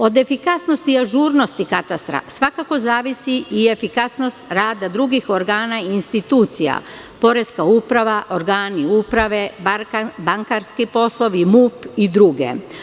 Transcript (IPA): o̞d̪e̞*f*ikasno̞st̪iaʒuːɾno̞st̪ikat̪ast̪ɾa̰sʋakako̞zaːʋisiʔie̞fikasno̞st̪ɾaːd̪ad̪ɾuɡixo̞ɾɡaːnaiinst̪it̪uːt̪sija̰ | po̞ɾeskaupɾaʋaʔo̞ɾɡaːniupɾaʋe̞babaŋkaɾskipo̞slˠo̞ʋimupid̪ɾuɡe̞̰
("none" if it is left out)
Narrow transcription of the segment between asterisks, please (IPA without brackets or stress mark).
f